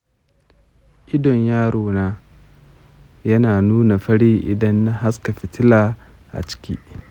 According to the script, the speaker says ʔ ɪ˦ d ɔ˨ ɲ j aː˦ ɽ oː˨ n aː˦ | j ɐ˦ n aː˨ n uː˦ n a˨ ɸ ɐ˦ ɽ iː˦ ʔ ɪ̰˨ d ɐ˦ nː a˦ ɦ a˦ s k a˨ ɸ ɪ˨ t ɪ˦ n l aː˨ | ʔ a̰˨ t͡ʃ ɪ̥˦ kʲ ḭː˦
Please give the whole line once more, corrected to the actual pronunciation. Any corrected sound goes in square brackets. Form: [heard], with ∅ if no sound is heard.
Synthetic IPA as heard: ʔ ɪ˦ d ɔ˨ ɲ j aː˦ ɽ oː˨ n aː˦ | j ɐ˦ n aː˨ n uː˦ n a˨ ɸ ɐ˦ ɽ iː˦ ʔ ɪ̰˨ d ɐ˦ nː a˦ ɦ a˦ s k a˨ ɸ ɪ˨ t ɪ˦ [∅] l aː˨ | ʔ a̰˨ t͡ʃ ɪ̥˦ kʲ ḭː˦